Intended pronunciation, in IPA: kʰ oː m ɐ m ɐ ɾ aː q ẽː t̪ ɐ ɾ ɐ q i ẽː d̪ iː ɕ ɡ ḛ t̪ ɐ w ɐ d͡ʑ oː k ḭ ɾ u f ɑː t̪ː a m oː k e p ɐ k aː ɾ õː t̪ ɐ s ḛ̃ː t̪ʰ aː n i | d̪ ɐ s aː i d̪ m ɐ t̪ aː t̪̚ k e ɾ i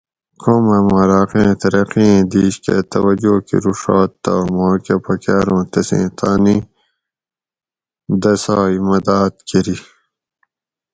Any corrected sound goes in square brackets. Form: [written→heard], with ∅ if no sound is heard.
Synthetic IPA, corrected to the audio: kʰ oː m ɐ m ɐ ɾ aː q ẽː t̪ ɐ ɾ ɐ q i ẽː d̪ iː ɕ [ɡ→k] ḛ t̪ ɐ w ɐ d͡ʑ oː k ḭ ɾ u [f→ʂ] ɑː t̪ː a m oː k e p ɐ k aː ɾ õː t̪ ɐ s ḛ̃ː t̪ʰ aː n i | d̪ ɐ s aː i [d̪→∅] m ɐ [t̪→d̪] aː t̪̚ k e ɾ i